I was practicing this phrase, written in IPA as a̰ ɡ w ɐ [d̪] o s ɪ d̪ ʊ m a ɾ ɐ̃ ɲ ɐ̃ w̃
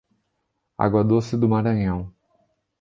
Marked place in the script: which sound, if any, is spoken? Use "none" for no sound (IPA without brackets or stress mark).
d̪